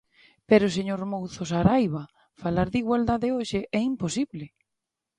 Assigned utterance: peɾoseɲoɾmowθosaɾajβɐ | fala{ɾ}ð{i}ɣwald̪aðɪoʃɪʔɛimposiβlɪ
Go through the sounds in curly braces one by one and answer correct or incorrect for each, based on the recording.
correct, correct

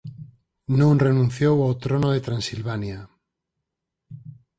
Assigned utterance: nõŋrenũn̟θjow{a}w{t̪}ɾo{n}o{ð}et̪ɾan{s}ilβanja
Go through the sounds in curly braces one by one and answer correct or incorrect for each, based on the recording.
correct, correct, correct, correct, correct

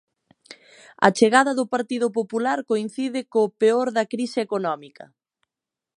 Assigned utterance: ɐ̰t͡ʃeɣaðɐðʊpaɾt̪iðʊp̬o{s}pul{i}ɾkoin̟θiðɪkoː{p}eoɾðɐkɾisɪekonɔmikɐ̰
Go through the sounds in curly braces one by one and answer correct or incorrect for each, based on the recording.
incorrect: none, incorrect: a, correct

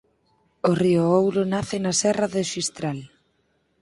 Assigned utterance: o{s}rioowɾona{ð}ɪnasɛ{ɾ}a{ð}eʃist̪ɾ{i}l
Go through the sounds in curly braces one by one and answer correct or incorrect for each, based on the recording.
incorrect: none, incorrect: θ, incorrect: r, correct, incorrect: a

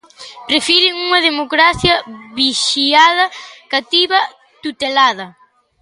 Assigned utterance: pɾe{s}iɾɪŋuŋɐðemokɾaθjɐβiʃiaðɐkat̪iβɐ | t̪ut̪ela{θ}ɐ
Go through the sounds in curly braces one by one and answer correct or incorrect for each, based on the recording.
incorrect: f, incorrect: ð

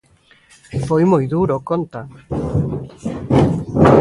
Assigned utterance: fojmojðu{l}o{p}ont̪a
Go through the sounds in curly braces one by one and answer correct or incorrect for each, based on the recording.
incorrect: ɾ, incorrect: k

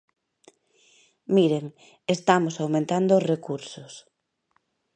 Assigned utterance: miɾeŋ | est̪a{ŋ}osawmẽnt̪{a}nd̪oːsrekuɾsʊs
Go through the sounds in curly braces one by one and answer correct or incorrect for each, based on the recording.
incorrect: m, correct

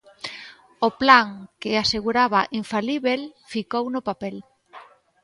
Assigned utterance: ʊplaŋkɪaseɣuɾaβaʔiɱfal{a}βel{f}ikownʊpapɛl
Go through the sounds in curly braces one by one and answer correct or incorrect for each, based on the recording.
incorrect: i, correct

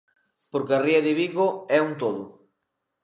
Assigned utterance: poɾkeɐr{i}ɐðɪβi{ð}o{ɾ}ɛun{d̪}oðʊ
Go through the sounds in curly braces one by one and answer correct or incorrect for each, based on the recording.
correct, incorrect: ɣ, incorrect: none, incorrect: t̪

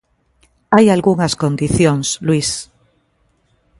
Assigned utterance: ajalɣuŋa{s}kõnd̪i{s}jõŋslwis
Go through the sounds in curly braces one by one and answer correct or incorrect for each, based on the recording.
correct, incorrect: θ

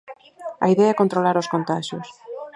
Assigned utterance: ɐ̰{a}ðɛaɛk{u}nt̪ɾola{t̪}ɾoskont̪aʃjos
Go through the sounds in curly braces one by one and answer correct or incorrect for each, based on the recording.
incorrect: i, incorrect: o, incorrect: none

